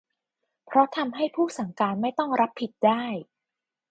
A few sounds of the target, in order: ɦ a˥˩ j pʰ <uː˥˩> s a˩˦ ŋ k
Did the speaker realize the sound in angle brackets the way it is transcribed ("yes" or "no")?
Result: yes